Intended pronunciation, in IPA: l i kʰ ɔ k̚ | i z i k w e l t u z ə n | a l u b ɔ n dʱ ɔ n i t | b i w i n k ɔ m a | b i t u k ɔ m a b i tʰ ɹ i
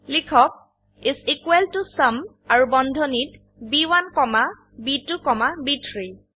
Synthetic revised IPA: l i kʰ ɔ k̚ | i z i k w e l t u s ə m | a ɹ u b ɔ n dʱ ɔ n i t | b i w a n k ɔ m a | b i t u k ɔ m a b i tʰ ɹ i